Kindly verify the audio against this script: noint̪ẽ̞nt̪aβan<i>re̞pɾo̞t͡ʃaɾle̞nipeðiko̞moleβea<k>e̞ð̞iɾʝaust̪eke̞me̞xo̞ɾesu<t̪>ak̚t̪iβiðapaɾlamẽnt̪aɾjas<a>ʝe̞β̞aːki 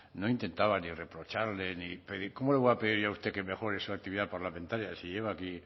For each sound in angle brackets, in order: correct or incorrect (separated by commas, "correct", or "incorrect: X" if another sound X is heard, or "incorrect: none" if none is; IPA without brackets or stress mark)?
correct, incorrect: p, incorrect: none, incorrect: i